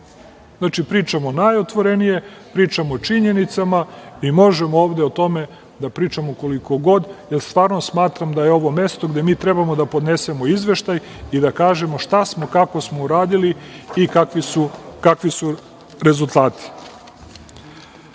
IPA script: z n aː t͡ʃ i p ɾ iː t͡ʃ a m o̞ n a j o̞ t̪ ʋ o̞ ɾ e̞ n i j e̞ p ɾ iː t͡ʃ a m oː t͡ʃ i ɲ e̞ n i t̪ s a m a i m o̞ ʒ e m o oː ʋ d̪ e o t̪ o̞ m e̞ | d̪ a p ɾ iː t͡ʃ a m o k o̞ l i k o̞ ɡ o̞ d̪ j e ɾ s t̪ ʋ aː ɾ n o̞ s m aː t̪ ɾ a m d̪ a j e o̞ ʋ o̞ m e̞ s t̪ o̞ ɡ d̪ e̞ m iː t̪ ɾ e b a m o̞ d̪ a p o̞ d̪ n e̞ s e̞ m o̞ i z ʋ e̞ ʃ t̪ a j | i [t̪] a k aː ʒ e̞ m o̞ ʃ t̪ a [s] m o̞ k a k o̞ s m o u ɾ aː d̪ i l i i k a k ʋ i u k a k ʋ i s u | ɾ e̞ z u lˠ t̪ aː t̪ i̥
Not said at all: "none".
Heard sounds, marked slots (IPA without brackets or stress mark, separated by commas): d̪, s